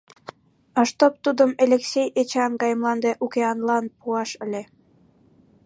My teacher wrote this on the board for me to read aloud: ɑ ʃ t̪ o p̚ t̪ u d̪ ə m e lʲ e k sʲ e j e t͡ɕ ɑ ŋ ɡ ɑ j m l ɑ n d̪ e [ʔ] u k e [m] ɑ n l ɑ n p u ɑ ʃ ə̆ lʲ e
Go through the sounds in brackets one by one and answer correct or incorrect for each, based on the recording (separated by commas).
correct, incorrect